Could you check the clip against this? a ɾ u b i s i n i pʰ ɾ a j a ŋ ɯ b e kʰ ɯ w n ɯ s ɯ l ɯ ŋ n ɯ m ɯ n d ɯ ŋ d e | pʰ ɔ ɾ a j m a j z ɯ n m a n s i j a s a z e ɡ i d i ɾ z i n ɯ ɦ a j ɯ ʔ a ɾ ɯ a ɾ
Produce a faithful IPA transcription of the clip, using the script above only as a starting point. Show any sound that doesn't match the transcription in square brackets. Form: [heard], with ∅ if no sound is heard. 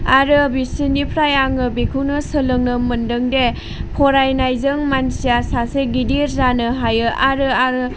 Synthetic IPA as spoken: a ɾ [ɯ] b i s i n i pʰ ɾ a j a ŋ ɯ b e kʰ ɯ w n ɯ s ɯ l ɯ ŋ n ɯ m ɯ n d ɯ ŋ d e | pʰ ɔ ɾ a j [n] a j z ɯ [ŋ] m a n s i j a s a [s] e ɡ i d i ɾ z [a] n ɯ ɦ a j ɯ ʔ a ɾ ɯ a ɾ